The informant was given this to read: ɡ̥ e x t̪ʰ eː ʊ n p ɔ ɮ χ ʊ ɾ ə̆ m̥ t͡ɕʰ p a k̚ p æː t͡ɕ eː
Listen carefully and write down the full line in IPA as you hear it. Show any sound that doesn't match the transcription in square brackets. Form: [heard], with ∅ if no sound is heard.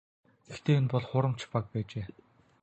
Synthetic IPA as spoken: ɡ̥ e x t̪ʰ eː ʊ n p ɔ ɮ χ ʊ ɾ ə̆ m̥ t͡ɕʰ p a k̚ p æː t͡ɕ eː